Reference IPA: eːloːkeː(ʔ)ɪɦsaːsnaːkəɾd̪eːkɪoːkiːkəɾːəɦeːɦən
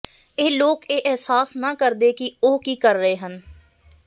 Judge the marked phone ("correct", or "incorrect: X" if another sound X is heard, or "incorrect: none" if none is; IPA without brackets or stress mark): correct